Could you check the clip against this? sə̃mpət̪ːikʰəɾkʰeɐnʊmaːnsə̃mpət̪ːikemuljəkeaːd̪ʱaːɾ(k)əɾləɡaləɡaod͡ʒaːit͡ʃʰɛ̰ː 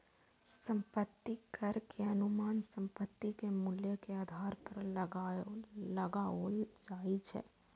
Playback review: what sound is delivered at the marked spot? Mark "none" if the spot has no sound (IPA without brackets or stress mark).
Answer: p